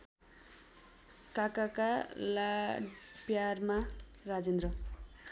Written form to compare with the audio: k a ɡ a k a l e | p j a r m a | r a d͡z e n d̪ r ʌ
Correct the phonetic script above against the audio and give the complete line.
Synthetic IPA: k a k a k a l a | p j a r m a | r a d͡z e n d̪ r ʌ

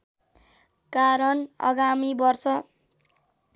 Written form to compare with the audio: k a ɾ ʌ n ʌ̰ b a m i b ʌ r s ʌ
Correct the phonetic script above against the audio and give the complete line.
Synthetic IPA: k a ɾ ʌ n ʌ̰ ɡ a m i b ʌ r s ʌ

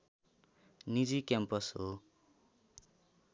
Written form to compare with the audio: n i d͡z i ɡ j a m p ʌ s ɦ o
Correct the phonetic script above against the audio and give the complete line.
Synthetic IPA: n i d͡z i k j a m p ʌ s ɦ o

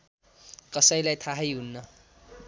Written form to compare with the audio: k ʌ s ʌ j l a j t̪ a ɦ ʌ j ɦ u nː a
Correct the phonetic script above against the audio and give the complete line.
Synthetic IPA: k ʌ s ʌ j l a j t̪ʰ a ɦ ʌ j ɦ u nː ʌ

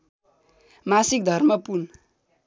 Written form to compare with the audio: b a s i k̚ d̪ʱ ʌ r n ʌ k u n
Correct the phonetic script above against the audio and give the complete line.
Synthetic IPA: m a s i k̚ d̪ʱ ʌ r m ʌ p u n

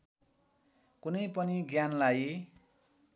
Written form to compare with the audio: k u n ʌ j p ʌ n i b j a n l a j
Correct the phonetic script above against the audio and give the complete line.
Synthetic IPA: k u n ʌ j p ʌ n i ɡ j a n l a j

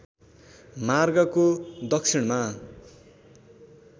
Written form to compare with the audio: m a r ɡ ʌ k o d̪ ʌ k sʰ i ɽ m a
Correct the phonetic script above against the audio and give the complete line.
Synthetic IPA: m a r ɡ ʌ k o d̪ ʌ k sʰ i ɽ m a

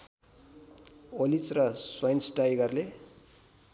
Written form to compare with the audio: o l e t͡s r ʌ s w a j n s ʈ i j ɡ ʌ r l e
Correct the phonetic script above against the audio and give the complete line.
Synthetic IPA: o l i t͡s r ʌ s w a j n s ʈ a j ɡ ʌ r l e

